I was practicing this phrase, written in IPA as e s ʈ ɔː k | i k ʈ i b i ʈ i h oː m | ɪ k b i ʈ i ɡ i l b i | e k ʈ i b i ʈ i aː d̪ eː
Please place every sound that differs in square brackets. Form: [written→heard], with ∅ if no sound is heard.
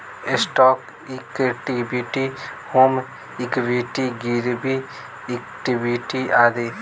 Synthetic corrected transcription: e s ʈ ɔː k | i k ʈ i b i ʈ i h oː m | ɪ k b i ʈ i ɡ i [l→ɾ] b i | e k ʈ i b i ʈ i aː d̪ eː